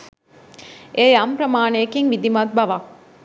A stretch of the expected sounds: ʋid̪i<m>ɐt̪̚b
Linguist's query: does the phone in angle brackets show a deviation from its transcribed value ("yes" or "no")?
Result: no